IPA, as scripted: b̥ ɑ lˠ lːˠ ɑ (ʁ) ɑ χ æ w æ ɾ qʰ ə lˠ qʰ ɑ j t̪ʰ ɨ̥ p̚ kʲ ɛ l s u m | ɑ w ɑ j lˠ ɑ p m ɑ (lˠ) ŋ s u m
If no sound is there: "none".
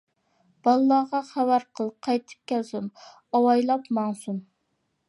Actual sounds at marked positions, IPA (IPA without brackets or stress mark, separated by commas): ʁ, none